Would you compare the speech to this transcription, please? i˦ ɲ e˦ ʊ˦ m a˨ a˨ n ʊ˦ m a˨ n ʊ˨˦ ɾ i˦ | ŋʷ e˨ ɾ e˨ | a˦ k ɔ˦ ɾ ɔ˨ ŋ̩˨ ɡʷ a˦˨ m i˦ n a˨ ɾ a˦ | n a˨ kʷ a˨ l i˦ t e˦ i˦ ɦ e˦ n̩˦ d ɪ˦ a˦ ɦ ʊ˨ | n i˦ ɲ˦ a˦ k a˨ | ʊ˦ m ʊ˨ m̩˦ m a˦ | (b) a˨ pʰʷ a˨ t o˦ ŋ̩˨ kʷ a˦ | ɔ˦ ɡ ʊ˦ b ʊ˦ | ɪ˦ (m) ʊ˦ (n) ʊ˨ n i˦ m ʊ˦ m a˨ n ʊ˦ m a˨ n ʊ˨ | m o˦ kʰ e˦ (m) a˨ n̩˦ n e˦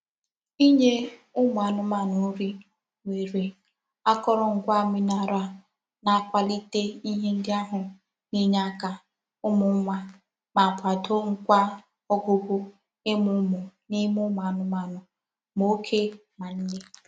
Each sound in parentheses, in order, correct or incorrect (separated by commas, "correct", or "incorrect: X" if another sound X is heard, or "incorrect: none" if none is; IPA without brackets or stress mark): incorrect: m, correct, incorrect: m, correct